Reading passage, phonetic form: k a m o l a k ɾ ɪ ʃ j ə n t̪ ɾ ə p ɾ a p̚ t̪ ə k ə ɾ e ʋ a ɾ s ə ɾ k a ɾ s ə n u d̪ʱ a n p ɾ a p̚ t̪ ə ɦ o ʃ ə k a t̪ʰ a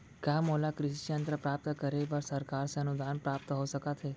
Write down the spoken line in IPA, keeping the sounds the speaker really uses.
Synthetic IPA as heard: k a m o l a k ɾ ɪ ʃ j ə n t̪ ɾ ə p ɾ a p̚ t̪ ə k ə ɾ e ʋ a ɾ s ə ɾ k a ɾ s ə n u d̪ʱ a n p ɾ a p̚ t̪ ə ɦ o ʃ ə k a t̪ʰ e